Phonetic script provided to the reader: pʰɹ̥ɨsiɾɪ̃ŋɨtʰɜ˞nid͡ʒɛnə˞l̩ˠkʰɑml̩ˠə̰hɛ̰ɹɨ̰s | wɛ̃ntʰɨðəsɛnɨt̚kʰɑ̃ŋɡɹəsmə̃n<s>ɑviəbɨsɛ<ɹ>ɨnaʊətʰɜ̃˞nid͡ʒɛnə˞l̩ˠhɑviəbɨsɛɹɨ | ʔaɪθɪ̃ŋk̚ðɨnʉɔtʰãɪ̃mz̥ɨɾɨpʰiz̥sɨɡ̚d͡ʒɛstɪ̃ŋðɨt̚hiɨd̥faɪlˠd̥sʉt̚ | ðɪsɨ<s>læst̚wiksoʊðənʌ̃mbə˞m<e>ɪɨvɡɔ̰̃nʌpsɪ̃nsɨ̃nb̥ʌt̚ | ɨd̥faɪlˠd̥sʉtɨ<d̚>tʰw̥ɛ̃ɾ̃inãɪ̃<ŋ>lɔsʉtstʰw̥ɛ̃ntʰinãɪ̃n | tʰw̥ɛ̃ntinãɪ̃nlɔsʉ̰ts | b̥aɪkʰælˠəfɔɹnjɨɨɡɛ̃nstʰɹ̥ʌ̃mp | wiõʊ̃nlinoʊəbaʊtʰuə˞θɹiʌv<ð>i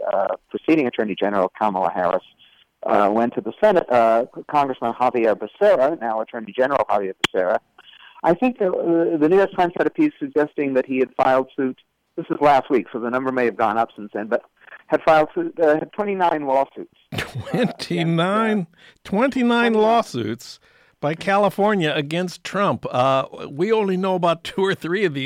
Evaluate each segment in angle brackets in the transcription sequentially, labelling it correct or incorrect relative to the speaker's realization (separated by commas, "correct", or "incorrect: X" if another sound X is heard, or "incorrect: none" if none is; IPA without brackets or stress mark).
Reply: incorrect: h, correct, incorrect: z, correct, correct, incorrect: n, correct